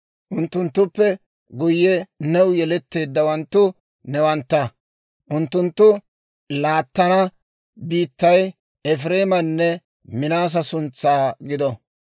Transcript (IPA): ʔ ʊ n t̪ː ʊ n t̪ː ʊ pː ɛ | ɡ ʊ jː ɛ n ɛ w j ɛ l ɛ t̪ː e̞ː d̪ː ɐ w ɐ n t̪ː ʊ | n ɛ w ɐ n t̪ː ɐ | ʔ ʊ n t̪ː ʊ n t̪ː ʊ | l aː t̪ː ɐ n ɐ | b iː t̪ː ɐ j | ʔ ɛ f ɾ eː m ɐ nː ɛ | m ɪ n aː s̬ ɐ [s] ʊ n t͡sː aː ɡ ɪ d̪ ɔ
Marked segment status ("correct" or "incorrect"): correct